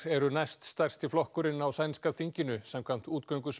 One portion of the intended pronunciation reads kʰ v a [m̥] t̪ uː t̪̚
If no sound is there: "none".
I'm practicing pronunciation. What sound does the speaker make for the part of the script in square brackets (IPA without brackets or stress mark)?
m̥